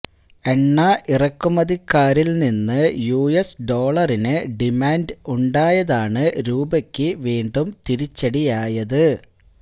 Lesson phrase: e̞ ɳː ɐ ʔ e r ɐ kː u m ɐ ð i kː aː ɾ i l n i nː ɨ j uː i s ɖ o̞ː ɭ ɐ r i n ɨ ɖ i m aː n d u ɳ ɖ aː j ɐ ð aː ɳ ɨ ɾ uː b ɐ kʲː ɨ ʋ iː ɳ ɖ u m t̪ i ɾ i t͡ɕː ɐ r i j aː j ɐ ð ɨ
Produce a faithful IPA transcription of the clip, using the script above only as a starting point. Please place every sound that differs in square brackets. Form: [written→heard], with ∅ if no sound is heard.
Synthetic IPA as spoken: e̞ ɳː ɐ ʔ [e→i] r ɐ kː u m ɐ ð i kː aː ɾ i l n i nː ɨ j uː [i→e] s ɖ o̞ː ɭ ɐ r i n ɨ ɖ i m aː n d u ɳ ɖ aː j ɐ ð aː ɳ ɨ ɾ uː b ɐ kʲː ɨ ʋ iː ɳ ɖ u m t̪ i ɾ i t͡ɕː ɐ [r→ɽ] i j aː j ɐ ð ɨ